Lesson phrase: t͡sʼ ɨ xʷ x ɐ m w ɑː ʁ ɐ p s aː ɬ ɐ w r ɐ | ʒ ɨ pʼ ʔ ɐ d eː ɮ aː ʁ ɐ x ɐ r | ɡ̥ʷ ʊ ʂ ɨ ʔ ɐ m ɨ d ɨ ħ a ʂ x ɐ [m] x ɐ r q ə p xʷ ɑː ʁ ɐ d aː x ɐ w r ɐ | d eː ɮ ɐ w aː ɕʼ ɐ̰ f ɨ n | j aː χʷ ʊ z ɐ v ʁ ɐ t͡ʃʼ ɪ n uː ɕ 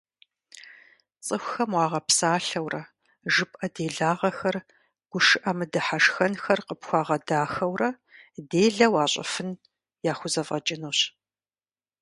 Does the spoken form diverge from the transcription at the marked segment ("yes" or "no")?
yes